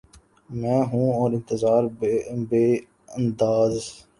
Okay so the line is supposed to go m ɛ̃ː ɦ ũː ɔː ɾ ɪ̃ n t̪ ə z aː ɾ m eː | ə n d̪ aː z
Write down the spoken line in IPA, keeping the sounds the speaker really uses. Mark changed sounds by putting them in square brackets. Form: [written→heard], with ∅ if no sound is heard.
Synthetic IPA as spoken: m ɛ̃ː ɦ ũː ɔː ɾ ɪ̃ n t̪ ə z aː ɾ [m→b] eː | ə n d̪ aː z

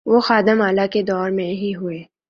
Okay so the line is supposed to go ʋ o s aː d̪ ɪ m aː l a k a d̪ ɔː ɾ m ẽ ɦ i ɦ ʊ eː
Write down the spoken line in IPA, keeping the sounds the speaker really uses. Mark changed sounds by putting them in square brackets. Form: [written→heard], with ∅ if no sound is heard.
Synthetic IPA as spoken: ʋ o [s→x] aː d̪ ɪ m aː l a k [a→e] d̪ ɔː ɾ m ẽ ɦ i ɦ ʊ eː

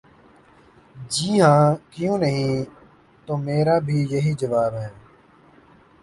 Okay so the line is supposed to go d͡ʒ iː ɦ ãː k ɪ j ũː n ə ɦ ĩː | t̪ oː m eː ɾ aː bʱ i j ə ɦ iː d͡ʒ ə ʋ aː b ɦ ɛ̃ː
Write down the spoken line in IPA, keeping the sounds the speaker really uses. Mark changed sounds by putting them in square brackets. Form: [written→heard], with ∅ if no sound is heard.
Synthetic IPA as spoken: d͡ʒ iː ɦ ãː k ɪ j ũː n ə ɦ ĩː | t̪ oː m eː ɾ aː bʱ [i→iː] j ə ɦ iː d͡ʒ ə ʋ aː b ɦ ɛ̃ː

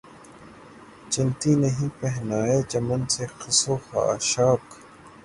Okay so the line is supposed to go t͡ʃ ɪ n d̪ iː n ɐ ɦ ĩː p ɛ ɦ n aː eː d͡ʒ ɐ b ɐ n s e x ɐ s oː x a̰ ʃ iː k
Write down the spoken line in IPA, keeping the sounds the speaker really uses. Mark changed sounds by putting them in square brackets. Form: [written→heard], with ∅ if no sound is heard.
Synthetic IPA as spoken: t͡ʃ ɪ n [d̪→t̪] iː n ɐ ɦ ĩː p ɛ ɦ n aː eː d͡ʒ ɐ [b→m] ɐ n s e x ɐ s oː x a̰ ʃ [iː→aː] k

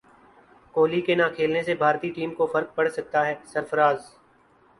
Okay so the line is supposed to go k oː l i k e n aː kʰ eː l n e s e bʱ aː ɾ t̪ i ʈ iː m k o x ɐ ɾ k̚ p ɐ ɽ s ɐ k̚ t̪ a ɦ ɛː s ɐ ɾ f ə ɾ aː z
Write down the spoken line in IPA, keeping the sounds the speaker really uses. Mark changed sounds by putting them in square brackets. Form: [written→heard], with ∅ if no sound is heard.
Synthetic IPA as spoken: k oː l i k e n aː kʰ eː l n e s e bʱ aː ɾ t̪ i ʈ iː m k o [x→f] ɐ ɾ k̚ p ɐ ɽ s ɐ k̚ t̪ a ɦ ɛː s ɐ ɾ f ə ɾ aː z

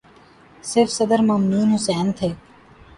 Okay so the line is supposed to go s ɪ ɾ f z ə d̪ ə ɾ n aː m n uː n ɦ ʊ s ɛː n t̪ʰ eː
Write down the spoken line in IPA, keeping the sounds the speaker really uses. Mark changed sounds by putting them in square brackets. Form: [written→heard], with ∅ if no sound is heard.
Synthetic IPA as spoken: s ɪ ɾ f [z→s] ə d̪ ə ɾ [n→m] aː m n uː n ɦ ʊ s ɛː n t̪ʰ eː

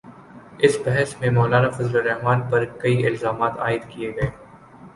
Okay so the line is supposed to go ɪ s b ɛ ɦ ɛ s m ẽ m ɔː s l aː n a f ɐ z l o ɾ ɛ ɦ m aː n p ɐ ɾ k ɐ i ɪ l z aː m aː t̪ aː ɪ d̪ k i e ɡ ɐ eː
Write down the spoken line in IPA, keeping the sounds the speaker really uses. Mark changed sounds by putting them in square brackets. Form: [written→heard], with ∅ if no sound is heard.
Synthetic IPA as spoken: ɪ s b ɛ ɦ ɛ s m ẽ m ɔː [s→∅] l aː n a f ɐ z l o ɾ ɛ ɦ m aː n p ɐ ɾ k ɐ i ɪ l z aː m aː t̪ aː ɪ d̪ k i e ɡ ɐ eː

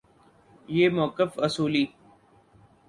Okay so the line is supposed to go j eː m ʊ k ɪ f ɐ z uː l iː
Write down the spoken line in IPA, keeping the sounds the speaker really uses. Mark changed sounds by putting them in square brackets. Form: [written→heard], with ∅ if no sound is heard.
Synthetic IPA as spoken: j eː m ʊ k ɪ f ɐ [z→s] uː l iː

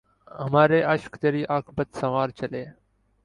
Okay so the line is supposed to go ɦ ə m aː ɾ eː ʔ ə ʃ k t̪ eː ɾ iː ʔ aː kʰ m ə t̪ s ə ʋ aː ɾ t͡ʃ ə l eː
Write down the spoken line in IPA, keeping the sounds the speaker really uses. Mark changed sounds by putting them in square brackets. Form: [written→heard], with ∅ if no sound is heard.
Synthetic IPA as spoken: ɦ ə m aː ɾ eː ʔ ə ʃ k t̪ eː ɾ iː ʔ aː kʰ [m→b] ə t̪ s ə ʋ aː ɾ t͡ʃ ə l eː

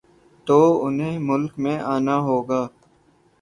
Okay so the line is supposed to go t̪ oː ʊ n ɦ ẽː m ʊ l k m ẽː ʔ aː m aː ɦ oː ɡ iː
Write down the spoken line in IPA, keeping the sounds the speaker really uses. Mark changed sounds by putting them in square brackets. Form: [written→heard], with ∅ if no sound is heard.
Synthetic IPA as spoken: t̪ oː ʊ n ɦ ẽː m ʊ l k m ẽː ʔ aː [m→n] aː ɦ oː ɡ [iː→aː]

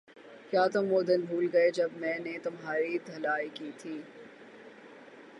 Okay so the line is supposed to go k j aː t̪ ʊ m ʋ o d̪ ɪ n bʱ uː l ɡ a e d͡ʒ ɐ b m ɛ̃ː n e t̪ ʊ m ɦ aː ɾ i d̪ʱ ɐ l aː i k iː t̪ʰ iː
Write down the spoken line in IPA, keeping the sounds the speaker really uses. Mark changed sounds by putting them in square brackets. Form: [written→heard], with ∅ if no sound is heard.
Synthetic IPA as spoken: k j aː t̪ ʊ m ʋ o d̪ ɪ n bʱ uː l ɡ [a→ɐ] e d͡ʒ ɐ b m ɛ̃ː n e t̪ ʊ m ɦ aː ɾ i d̪ʱ ɐ l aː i k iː t̪ʰ iː

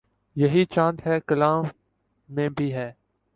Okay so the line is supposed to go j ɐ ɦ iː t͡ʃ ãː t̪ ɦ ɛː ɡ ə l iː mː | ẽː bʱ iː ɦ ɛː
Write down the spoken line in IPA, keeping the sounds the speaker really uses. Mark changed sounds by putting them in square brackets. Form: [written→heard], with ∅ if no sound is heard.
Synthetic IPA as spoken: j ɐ ɦ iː t͡ʃ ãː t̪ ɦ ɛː [ɡ→k] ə l [iː→aː] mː | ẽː bʱ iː ɦ ɛː

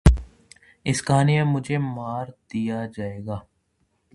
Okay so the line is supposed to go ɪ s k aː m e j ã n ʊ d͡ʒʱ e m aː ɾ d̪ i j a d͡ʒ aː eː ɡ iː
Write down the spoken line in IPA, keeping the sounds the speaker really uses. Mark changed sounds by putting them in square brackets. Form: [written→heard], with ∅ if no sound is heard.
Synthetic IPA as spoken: ɪ s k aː [m→n] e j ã [n→m] ʊ d͡ʒʱ e m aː ɾ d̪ i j a d͡ʒ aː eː ɡ [iː→aː]

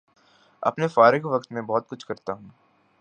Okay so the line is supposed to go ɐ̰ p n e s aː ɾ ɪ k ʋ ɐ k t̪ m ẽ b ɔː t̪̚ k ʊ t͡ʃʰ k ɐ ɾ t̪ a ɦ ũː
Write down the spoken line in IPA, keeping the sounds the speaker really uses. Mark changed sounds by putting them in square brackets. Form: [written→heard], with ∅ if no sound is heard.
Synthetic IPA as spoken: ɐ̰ p n e [s→f] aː ɾ ɪ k ʋ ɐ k t̪ m ẽ b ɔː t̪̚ k ʊ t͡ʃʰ k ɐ ɾ t̪ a ɦ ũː

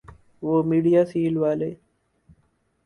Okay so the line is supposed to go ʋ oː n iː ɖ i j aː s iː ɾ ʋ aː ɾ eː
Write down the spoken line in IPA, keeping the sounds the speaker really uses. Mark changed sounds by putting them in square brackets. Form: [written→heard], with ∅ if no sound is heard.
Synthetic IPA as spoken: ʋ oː [n→m] iː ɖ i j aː s iː [ɾ→l] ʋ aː [ɾ→l] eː

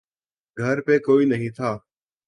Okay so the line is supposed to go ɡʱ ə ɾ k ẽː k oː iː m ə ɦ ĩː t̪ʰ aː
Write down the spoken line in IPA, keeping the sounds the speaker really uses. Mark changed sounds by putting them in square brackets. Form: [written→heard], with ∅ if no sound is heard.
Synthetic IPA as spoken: ɡʱ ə ɾ [k→p] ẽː k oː iː [m→n] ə ɦ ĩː t̪ʰ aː

